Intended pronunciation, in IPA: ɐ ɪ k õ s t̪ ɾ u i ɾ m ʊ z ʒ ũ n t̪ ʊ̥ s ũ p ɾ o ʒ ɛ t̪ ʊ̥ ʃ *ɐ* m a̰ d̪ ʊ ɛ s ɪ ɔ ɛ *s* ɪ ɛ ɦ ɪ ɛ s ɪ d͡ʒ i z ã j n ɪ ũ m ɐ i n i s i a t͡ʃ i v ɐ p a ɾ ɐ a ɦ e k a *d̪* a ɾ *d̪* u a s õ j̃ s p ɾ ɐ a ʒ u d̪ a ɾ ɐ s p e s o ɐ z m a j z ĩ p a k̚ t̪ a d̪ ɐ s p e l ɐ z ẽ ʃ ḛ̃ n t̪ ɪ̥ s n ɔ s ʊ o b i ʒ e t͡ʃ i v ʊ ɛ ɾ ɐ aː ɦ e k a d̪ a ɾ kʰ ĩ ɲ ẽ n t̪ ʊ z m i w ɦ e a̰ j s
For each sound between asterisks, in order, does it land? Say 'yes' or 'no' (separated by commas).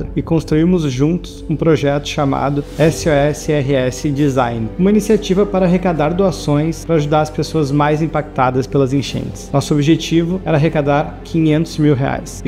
no, yes, yes, yes